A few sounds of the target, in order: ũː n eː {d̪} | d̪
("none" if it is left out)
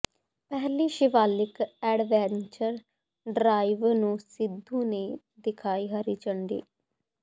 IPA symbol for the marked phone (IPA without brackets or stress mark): none